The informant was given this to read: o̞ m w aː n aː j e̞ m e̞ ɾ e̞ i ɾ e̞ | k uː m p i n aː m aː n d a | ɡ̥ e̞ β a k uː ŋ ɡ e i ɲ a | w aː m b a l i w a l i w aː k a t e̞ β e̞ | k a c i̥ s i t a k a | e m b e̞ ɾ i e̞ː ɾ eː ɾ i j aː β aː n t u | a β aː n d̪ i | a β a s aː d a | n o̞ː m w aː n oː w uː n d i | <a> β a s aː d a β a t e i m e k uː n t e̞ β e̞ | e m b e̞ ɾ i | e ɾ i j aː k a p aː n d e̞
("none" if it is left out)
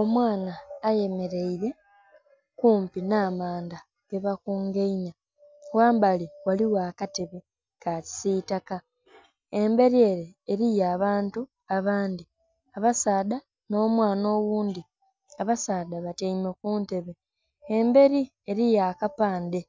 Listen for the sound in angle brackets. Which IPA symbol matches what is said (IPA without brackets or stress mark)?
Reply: a